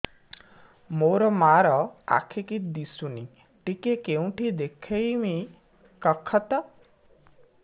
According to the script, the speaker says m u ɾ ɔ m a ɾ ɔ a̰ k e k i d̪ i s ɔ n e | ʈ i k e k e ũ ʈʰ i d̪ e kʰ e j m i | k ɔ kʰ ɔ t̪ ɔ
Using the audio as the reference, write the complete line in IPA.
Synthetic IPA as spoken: m o ɾ ɔ m a ɾ ɔ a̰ kʰ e k i d̪ i s u n i | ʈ i k e k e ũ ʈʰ i d̪ e kʰ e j m i | k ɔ kʰ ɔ t̪ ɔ